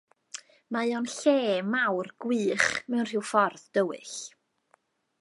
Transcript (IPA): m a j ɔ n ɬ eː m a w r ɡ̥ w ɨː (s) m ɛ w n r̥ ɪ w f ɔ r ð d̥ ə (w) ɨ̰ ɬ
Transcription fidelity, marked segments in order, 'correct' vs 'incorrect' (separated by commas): incorrect, correct